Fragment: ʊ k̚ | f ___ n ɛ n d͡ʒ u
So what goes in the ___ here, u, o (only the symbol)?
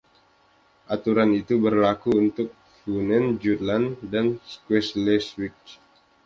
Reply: u